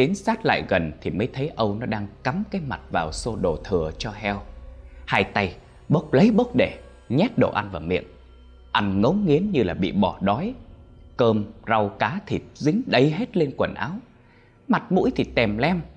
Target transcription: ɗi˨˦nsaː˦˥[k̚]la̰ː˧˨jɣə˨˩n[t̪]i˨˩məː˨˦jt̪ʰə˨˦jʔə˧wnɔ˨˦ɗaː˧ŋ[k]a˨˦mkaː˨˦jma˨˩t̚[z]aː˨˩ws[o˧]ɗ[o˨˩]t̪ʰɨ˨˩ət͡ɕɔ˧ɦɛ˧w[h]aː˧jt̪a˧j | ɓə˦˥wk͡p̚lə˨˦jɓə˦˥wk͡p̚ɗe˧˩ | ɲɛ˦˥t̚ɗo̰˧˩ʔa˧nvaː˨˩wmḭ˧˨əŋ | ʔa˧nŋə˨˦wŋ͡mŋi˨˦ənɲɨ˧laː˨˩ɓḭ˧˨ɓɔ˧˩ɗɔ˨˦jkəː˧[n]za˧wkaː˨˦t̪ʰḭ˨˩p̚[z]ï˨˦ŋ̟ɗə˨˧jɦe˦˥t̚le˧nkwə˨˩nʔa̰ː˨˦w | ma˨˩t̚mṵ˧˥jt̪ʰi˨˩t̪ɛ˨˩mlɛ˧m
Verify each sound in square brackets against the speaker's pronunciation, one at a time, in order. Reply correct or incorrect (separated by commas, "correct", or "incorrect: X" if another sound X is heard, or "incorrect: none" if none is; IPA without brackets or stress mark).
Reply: incorrect: t̚, incorrect: t̪ʰ, correct, incorrect: v, correct, correct, correct, incorrect: m, correct